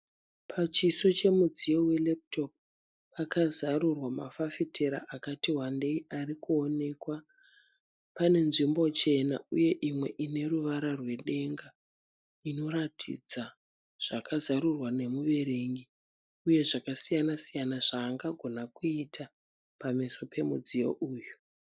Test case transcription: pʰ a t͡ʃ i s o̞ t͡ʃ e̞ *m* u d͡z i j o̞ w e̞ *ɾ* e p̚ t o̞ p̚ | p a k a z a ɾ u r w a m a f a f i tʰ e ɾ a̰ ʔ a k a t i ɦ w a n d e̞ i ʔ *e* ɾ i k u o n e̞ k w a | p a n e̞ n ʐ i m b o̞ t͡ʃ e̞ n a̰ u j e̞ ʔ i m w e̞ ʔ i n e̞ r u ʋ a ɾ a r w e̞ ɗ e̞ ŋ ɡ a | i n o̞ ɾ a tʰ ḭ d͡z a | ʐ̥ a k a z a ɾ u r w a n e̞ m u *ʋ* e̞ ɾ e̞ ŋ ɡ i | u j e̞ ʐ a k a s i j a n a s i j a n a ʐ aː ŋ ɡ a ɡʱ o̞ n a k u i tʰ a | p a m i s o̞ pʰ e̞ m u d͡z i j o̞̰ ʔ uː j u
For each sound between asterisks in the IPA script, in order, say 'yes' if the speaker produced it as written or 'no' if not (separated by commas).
yes, no, no, yes